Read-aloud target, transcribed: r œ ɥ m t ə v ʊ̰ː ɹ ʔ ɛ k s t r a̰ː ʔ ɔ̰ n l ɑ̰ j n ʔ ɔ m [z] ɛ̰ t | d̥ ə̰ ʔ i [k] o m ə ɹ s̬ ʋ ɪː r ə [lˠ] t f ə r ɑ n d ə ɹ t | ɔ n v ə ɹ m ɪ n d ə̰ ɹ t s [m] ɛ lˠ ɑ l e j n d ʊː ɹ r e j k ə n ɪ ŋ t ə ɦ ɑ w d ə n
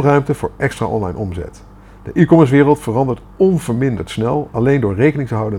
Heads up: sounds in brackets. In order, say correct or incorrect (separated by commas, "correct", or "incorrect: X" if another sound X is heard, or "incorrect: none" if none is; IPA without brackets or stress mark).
correct, correct, correct, incorrect: n